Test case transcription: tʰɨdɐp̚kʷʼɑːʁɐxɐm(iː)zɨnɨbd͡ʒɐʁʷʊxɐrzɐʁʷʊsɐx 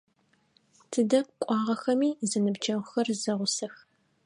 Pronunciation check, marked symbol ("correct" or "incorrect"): correct